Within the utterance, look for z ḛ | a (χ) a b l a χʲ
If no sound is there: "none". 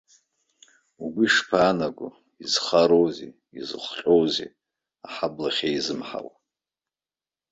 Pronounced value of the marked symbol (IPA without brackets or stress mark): ħ